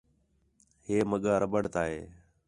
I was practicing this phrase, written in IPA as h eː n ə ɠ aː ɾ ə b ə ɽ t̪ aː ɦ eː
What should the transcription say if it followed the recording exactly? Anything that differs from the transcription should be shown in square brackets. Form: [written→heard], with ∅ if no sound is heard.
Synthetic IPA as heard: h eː [n→m] ə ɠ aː ɾ ə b ə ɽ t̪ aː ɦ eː